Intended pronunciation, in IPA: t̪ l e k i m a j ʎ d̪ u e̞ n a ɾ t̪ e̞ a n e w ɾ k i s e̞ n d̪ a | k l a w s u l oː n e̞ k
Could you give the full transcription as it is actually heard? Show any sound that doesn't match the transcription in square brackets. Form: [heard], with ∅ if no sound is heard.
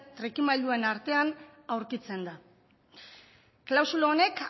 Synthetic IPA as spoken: t̪ [ɾ] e k i m a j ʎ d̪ u e̞ n a ɾ t̪ e̞ a n [a] w ɾ k i [t͡s] e̞ n d̪ a | k l a w s u l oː n e̞ k